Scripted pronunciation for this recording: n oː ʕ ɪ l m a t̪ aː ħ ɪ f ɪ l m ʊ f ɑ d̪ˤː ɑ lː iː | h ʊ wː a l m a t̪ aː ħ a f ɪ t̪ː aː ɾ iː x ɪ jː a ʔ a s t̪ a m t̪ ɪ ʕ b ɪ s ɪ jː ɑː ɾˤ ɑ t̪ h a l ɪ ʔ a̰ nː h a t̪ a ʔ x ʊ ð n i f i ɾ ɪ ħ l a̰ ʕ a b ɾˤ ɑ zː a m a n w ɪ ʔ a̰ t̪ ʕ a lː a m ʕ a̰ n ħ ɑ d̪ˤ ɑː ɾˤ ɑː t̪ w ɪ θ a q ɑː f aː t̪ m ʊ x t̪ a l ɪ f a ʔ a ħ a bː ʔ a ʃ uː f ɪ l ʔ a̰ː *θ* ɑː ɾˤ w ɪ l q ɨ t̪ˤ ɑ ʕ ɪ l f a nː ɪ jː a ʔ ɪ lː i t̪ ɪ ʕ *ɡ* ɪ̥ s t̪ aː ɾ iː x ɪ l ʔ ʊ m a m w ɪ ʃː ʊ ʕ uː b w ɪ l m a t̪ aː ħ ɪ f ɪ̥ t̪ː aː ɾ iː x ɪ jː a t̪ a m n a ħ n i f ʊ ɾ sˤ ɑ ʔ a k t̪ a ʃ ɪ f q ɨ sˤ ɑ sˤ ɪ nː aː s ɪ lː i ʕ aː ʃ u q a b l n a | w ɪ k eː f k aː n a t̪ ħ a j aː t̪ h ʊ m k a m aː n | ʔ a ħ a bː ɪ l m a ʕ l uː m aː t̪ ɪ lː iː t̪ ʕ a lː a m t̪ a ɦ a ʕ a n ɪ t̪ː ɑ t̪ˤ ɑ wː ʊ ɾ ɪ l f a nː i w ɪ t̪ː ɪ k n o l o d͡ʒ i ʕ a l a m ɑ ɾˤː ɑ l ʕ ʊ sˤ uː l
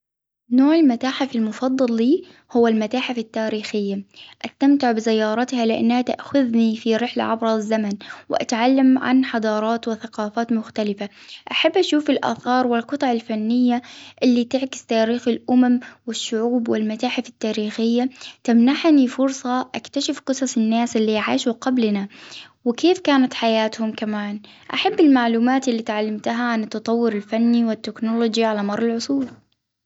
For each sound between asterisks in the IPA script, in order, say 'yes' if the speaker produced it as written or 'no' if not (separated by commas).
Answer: yes, no